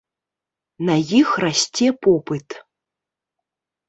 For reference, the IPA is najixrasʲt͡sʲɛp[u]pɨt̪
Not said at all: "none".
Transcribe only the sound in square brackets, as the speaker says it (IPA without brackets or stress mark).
ɔ